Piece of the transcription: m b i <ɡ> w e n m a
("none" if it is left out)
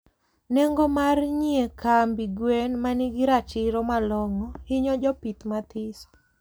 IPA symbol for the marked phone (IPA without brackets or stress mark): ɡ